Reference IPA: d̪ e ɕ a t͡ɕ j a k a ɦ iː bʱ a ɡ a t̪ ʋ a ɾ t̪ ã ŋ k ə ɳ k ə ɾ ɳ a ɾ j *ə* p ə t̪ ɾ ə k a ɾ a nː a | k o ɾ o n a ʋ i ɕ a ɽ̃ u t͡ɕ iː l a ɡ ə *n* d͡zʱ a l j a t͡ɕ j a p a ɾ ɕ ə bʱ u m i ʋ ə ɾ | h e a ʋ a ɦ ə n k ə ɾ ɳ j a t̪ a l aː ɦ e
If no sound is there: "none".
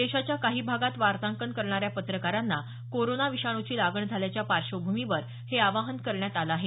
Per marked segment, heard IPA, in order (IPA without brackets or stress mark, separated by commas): a, ɳ